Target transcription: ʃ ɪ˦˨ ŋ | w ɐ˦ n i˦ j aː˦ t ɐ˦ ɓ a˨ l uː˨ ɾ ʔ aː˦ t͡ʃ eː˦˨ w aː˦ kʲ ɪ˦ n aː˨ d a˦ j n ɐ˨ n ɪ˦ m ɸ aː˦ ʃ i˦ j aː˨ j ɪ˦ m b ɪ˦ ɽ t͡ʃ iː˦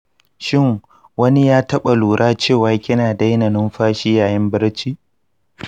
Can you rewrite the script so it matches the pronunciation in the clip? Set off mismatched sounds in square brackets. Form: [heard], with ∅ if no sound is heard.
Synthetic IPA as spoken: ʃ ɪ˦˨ ŋ | w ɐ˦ n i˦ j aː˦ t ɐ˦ ɓ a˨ l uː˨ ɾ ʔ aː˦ t͡ʃ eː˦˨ w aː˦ kʲ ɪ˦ n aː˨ d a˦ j n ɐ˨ n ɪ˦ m ɸ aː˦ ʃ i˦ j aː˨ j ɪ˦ m b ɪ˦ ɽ t͡ʃ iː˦